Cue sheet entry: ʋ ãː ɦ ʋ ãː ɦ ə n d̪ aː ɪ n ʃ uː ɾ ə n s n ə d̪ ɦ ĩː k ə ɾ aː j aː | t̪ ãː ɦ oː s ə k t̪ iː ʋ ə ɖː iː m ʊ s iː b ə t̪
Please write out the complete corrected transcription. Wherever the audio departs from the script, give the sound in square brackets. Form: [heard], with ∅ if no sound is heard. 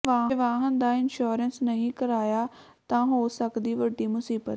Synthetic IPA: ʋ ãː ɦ ʋ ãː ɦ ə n d̪ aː ɪ n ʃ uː ɾ ə n s n ə [∅] ɦ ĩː k ə ɾ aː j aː | t̪ ãː ɦ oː s ə k [d̪] iː ʋ ə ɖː iː m ʊ s iː b ə t̪

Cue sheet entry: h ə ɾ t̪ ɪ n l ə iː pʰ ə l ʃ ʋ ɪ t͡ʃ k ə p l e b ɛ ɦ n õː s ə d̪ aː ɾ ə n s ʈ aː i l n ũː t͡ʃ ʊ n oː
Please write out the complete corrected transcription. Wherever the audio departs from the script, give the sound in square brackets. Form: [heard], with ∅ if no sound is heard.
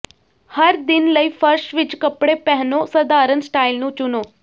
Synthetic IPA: h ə ɾ [d̪] ɪ n l ə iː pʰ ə [ɾ] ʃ ʋ ɪ t͡ʃ k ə p [ɽ] e [p] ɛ ɦ n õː s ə d̪ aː ɾ ə n s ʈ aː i l n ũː t͡ʃ ʊ n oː

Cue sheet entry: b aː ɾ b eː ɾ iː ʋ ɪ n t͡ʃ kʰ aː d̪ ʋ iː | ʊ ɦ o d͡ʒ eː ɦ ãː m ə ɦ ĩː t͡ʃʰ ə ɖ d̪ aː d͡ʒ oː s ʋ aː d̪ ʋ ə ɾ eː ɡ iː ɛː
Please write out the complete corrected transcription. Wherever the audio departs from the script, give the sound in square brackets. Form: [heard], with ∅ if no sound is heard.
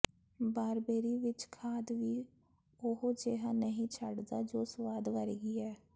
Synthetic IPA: b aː ɾ b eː ɾ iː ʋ ɪ [∅] t͡ʃ kʰ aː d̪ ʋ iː | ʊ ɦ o d͡ʒ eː ɦ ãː [n] ə ɦ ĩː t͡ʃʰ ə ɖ d̪ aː d͡ʒ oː s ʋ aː d̪ ʋ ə ɾ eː ɡ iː ɛː

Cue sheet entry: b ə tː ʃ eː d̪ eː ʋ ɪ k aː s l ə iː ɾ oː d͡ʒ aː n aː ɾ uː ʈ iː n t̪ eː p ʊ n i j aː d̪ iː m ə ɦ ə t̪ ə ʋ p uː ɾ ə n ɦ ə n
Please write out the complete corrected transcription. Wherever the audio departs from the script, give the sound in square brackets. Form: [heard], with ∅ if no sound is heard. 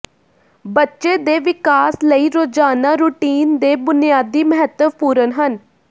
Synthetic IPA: b ə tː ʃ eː d̪ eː ʋ ɪ k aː s l ə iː ɾ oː d͡ʒ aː n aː ɾ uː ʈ iː n [d̪] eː [b] ʊ n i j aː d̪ iː m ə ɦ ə t̪ ə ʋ p uː ɾ ə n ɦ ə n

